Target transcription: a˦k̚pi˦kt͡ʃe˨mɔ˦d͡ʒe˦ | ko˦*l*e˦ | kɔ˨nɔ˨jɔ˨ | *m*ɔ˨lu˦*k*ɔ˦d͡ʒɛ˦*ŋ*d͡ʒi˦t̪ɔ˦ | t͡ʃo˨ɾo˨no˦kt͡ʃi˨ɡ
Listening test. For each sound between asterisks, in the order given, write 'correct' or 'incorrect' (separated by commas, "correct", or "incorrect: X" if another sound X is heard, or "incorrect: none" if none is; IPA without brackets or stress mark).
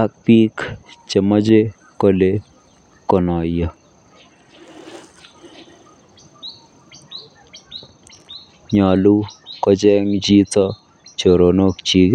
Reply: correct, incorrect: ɲ, correct, correct